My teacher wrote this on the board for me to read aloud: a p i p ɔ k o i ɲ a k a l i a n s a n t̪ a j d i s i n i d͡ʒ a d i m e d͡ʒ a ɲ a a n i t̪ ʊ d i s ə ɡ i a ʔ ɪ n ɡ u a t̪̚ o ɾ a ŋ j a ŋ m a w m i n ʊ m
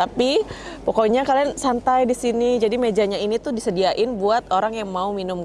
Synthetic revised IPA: a p i p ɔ k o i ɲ a k a l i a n s a n t̪ a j d i s i n i d͡ʒ a d i m e d͡ʒ a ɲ a i n i t̪ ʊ d i s ə d i a ʔ ɪ n b u a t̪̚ o ɾ a ŋ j a ŋ m a u m i n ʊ m